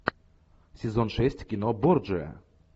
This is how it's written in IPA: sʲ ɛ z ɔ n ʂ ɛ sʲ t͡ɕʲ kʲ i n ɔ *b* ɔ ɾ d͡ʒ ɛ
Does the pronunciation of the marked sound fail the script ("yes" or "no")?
no